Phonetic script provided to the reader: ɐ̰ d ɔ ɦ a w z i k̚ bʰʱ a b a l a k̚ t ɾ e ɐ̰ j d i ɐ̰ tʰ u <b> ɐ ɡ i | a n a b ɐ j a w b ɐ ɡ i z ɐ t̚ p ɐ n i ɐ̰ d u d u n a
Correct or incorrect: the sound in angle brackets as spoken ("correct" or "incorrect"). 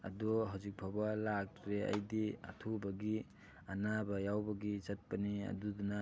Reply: correct